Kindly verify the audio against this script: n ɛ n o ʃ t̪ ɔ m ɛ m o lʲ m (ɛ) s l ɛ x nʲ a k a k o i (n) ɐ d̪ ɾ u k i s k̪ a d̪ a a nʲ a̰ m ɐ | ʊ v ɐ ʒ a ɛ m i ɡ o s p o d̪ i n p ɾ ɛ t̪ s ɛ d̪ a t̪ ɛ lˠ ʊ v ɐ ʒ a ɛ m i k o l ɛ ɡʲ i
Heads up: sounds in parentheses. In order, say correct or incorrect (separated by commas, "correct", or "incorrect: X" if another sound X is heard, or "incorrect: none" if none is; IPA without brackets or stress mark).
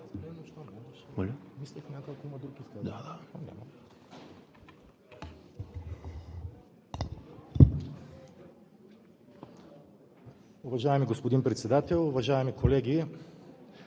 incorrect: i, incorrect: m